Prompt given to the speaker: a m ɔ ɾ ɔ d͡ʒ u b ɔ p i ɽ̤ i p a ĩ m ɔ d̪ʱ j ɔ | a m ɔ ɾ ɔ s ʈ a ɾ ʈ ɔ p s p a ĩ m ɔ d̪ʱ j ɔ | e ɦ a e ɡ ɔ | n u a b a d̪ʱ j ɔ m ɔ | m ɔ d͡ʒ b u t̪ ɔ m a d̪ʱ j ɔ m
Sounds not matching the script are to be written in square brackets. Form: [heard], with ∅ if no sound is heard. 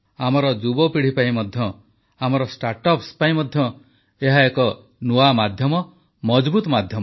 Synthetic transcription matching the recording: a m ɔ ɾ ɔ d͡ʒ u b ɔ p i ɽ̤ i p a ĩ m ɔ d̪ʱ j ɔ | a m ɔ ɾ ɔ s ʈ a ɾ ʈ ɔ p s p a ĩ m ɔ d̪ʱ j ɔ | e ɦ a e [k] ɔ | n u a [m] a d̪ʱ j ɔ m ɔ | m ɔ d͡ʒ b u t̪ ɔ m a d̪ʱ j ɔ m